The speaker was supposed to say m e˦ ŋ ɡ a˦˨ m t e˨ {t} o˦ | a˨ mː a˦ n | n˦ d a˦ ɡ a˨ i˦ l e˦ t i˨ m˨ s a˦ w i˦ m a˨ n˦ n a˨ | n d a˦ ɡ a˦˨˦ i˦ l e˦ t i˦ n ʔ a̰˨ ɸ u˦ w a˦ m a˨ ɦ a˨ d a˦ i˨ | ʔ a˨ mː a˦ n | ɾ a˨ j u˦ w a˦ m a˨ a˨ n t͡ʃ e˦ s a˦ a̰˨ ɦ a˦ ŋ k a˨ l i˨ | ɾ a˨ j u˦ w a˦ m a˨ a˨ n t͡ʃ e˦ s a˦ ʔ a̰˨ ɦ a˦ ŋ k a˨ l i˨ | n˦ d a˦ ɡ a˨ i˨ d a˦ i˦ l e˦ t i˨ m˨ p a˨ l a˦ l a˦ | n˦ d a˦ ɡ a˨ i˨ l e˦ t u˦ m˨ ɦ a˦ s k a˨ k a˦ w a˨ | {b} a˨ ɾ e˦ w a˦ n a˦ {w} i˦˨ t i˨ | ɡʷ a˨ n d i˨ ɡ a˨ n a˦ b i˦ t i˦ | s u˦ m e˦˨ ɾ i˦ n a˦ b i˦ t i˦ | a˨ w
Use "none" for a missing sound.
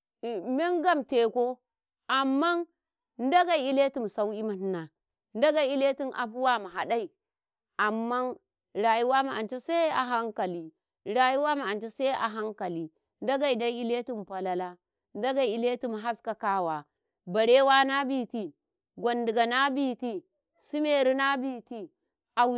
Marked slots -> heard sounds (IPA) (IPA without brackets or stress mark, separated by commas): k, b, b